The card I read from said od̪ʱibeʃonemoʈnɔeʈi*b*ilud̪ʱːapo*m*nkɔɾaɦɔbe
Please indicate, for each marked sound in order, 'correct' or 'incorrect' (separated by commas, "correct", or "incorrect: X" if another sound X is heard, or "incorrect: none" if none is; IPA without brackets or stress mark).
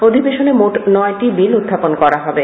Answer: correct, incorrect: none